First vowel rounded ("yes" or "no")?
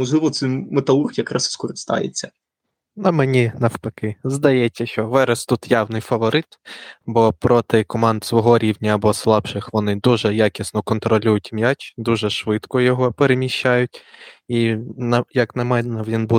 yes